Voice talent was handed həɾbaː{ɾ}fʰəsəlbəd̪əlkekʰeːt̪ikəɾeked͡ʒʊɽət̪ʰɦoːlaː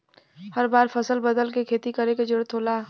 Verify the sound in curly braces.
correct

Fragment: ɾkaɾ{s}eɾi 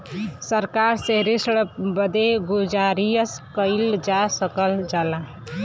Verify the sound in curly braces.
correct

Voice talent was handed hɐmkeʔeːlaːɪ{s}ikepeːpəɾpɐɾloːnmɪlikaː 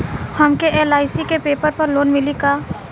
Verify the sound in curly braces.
correct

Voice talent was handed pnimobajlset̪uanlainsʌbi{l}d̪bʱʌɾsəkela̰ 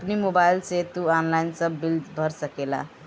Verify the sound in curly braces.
correct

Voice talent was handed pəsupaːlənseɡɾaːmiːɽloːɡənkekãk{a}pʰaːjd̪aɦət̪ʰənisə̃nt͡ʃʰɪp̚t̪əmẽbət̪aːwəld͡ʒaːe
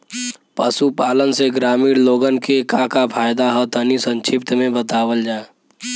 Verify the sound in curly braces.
correct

